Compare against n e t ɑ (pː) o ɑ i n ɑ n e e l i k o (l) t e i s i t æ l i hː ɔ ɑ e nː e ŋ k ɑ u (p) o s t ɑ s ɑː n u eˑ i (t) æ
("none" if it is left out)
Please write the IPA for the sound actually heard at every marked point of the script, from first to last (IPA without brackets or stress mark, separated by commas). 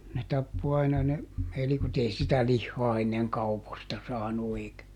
pː, none, p, k